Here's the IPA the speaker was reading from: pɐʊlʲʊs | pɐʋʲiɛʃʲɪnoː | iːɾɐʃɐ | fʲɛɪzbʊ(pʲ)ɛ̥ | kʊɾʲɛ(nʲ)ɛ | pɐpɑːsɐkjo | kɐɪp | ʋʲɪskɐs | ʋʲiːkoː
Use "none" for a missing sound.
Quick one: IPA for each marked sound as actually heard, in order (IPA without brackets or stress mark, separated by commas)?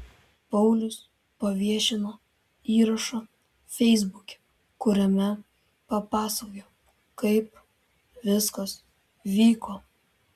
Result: kʲ, mʲ